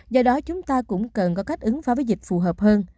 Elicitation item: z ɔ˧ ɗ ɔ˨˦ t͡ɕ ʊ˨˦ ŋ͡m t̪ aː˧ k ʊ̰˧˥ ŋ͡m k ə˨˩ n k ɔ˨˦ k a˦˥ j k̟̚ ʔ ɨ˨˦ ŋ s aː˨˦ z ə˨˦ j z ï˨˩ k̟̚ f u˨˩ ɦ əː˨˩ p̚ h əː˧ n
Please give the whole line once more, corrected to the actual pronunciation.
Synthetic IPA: z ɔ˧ ɗ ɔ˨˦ t͡ɕ ʊ˨˦ ŋ͡m t̪ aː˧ k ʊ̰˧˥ ŋ͡m k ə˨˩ n k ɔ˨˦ k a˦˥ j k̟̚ ʔ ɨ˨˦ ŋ f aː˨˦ v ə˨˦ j z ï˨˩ k̟̚ f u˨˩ ɦ əː˨˩ p̚ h əː˧ n